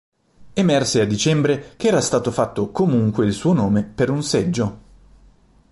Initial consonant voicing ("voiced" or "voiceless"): voiced